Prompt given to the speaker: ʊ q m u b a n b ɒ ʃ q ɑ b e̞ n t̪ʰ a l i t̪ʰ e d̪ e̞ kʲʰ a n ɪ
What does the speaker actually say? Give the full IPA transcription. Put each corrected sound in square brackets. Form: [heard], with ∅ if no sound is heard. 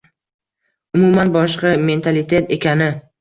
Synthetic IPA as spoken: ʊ [∅] m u [m] a n b ɒ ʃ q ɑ [m] e̞ n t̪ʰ a l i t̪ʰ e [t̪] e̞ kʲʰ a n ɪ